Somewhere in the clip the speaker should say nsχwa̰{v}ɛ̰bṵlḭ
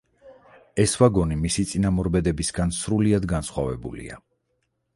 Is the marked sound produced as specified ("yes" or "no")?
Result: yes